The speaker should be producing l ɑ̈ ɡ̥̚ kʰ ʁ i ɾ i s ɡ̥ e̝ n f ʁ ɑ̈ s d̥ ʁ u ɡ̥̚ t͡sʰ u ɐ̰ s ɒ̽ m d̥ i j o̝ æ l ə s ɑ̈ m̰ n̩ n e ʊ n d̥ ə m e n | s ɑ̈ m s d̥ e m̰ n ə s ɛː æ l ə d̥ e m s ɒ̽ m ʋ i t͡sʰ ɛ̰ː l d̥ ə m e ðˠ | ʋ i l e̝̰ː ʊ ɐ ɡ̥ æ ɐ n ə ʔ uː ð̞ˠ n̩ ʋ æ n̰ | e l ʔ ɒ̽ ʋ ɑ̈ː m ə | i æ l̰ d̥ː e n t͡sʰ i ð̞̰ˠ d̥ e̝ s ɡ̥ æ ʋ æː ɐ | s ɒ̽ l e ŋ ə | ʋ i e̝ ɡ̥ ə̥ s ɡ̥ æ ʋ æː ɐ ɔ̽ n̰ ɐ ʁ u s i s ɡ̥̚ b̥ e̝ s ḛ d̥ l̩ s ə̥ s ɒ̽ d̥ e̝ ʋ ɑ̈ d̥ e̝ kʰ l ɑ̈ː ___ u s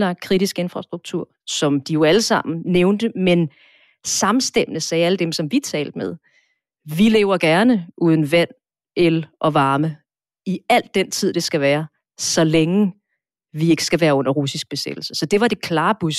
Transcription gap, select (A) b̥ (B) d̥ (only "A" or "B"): A